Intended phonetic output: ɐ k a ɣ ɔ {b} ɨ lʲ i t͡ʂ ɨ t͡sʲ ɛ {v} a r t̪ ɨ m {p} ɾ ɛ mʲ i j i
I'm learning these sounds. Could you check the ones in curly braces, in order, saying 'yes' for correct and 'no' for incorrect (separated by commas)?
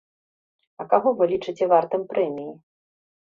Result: no, yes, yes